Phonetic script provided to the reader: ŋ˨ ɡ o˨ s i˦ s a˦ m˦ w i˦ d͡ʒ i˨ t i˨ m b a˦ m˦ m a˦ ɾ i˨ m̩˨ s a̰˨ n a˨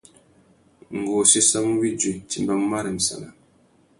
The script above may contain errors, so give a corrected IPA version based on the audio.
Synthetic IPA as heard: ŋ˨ ɡ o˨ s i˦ s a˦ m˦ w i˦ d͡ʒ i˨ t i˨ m b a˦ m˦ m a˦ ɾ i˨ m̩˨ s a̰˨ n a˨